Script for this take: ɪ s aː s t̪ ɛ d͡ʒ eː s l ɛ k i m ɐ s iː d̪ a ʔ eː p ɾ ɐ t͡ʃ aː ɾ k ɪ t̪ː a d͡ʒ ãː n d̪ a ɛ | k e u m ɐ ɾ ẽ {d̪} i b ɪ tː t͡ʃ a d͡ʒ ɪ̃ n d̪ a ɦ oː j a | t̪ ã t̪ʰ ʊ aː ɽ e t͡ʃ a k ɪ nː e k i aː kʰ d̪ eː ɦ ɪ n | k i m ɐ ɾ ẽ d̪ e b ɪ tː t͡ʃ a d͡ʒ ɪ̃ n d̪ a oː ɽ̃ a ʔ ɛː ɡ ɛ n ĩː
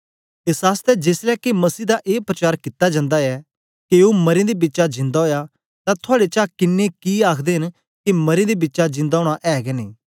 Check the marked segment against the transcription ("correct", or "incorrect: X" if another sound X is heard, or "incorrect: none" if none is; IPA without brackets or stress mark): correct